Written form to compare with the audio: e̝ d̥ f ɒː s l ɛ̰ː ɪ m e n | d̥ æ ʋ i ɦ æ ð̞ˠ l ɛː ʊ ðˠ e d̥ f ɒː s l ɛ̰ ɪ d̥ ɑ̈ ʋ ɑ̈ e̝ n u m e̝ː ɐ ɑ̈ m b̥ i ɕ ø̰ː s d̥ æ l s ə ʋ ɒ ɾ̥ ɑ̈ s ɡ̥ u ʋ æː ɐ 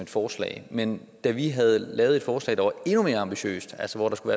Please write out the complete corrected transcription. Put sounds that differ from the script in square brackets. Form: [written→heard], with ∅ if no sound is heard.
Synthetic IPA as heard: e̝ d̥ f ɒː s l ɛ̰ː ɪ m e n | d̥ æ ʋ i ɦ æ ð̞ˠ l ɛː ʊ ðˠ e d̥ f ɒː s l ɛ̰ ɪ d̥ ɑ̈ ʋ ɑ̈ e̝ n u m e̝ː ɐ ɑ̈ m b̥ i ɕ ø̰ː s d̥ æ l s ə ʋ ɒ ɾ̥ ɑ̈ s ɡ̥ u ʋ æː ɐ